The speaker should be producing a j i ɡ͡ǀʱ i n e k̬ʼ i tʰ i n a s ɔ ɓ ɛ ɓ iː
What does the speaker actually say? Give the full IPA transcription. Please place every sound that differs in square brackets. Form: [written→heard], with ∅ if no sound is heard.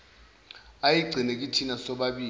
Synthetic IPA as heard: a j i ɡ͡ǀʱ i n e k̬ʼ i tʰ i n a s ɔ ɓ [ɛ→a] ɓ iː